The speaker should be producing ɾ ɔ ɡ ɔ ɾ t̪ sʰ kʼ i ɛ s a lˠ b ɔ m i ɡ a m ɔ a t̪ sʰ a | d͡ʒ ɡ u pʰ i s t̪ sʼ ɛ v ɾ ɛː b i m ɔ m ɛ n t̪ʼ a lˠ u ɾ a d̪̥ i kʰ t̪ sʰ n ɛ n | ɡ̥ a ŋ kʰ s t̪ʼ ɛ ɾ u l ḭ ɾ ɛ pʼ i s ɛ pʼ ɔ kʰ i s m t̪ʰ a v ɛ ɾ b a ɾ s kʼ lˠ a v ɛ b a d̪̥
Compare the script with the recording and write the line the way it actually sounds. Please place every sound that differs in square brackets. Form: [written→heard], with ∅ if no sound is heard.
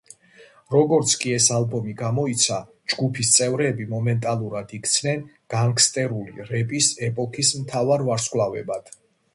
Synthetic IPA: ɾ ɔ ɡ ɔ ɾ t̪ sʰ kʼ i ɛ s a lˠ b ɔ m i ɡ a m ɔ [a→i] t̪ sʰ a | d͡ʒ ɡ u pʰ i s t̪ sʼ ɛ v ɾ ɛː b i m ɔ m ɛ n t̪ʼ a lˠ u ɾ a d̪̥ i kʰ t̪ sʰ n ɛ n | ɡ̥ a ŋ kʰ s t̪ʼ ɛ ɾ u l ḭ ɾ ɛ pʼ i s ɛ pʼ ɔ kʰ i s m t̪ʰ a v [ɛ→a] ɾ [b→v] a ɾ s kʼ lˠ a v ɛ b a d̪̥